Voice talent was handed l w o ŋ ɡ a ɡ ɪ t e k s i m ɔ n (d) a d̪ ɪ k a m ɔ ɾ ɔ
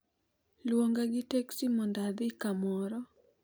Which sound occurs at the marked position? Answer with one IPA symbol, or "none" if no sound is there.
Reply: d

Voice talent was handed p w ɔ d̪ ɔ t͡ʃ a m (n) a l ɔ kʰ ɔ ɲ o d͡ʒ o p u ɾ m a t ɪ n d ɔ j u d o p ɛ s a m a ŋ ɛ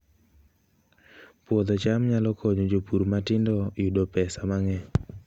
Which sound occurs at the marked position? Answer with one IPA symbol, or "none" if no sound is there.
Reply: ɲ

